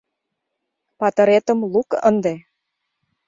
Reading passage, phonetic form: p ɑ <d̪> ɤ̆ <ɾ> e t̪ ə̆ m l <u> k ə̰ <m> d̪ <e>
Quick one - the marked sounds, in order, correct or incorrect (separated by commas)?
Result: incorrect, correct, correct, incorrect, correct